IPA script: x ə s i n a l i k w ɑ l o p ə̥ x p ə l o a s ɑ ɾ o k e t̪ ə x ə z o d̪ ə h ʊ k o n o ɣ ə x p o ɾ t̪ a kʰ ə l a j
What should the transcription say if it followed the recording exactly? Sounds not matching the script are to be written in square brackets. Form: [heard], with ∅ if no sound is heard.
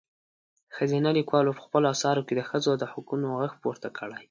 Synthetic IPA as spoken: x ə [z] i n a l i k w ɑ l o p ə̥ x p ə l o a s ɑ ɾ o k e [d̪] ə x ə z o d̪ ə h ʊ k [u] n o ɣ ə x p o ɾ t̪ a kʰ ə [ɽ] a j